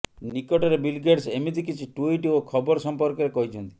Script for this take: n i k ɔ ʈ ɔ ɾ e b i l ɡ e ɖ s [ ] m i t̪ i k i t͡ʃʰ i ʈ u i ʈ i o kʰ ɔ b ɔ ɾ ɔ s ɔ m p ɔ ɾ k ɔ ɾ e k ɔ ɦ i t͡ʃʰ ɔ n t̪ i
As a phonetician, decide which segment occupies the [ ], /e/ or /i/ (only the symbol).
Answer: e